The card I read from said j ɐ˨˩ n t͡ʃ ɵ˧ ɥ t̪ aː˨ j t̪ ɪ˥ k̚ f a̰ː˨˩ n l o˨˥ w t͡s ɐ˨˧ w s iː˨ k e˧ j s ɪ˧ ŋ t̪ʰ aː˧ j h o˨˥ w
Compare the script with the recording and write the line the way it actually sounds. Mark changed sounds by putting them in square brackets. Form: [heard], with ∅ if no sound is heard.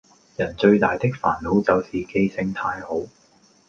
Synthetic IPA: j ɐ˨˩ n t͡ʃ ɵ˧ ɥ t̪ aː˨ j t̪ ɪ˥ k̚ f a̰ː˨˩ n l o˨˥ w t͡s ɐ˨˧ w s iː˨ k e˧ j s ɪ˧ ŋ t̪ʰ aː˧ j h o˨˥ w